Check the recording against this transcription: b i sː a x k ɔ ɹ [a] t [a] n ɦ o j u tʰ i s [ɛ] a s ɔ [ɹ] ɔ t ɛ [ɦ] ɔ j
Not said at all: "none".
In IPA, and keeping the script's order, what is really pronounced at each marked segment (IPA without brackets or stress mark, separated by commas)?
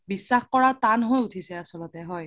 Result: a, a, ɛ, l, ɦ